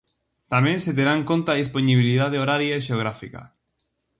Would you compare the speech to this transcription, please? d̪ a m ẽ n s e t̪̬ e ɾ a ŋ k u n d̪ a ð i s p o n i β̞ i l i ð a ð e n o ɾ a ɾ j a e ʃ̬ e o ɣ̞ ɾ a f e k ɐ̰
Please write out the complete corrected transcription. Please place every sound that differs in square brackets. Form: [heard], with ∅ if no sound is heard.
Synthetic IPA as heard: [t̪] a m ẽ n s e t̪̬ e ɾ a ŋ k [o] n [t̪] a ð i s p o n i β̞ i l i ð a ð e [∅] o ɾ a ɾ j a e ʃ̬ e o ɣ̞ ɾ a f [i] k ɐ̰